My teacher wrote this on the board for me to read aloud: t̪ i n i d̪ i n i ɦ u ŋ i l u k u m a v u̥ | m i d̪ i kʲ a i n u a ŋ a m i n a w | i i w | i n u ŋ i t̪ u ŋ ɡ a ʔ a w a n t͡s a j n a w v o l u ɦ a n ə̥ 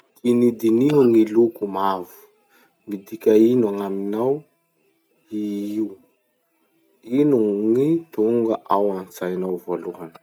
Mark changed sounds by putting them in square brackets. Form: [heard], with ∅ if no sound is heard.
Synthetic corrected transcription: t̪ i n i d̪ i n i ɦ u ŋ i l u k u m a v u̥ | m i d̪ i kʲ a i n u a ŋ a m i n a w | i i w | i n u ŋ i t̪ u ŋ ɡ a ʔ a w a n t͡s a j n a w v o l u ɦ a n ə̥